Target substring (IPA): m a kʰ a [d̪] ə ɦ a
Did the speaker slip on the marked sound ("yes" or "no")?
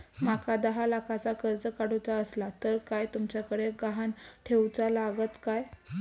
no